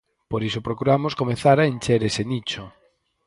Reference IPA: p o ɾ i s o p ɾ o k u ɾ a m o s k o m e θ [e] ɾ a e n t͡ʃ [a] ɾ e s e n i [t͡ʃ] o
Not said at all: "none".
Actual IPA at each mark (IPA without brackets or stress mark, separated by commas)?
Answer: a, e, t͡ʃ